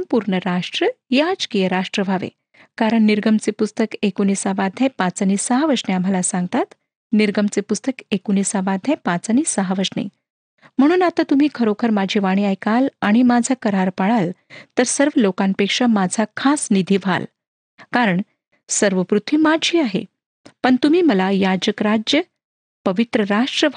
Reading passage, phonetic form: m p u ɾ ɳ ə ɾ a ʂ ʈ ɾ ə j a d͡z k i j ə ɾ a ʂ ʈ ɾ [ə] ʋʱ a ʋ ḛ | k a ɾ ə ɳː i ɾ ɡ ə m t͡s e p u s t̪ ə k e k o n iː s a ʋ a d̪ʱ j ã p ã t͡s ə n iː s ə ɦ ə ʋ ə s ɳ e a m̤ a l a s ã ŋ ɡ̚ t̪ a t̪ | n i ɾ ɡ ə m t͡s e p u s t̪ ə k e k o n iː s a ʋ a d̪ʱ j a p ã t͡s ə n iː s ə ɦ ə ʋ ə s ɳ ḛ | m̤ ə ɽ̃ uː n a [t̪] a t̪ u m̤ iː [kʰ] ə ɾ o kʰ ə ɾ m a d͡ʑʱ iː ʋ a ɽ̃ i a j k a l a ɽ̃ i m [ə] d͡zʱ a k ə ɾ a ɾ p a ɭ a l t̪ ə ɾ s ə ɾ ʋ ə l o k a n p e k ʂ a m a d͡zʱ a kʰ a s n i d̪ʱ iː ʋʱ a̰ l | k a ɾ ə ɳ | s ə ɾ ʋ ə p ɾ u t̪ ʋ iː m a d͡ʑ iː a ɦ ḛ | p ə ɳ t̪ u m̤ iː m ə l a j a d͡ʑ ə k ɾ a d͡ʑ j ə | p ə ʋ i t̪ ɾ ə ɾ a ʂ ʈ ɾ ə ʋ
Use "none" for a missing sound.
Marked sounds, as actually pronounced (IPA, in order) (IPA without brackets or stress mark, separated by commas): ə, t̪, kʰ, a